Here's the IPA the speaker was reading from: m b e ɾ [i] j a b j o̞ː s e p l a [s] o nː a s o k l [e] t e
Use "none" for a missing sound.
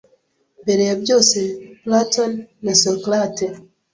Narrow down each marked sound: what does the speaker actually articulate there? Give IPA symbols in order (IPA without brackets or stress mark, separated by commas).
e, t, a